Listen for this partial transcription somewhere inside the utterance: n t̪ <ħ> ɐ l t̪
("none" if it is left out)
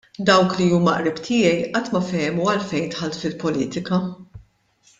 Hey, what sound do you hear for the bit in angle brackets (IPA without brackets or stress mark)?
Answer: ħ